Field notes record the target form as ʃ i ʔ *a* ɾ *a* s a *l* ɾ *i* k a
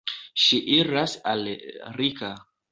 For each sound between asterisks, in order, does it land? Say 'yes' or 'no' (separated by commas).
no, yes, yes, yes